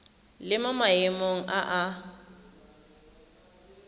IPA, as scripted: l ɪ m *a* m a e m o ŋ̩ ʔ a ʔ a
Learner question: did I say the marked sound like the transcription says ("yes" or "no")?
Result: yes